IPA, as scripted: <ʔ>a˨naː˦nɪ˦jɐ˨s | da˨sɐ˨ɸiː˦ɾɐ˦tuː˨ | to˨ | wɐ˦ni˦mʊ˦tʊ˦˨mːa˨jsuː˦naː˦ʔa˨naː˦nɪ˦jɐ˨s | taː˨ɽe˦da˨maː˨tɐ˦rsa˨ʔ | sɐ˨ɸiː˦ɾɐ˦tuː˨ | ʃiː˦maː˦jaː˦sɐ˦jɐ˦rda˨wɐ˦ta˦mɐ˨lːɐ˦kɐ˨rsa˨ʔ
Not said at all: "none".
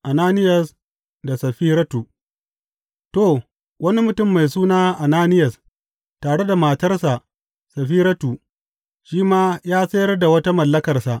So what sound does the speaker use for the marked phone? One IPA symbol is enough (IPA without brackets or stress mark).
ʔ